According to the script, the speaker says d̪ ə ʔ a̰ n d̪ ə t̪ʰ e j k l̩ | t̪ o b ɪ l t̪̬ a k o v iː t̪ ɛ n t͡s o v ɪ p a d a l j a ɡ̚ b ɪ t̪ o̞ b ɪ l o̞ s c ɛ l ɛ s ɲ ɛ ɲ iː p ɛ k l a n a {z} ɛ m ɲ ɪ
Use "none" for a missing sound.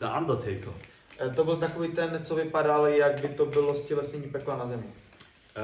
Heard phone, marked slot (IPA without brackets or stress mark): z